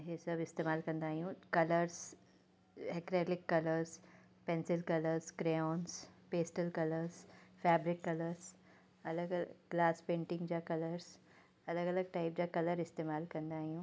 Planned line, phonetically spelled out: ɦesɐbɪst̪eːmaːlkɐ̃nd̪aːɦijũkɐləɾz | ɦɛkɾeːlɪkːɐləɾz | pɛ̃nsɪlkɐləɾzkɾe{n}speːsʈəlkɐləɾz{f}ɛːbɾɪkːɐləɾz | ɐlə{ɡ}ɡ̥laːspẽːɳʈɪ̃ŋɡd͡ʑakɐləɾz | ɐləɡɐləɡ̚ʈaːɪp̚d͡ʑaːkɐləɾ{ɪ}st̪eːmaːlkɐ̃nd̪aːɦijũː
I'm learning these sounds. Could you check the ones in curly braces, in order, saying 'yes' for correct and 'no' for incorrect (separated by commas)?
yes, yes, yes, yes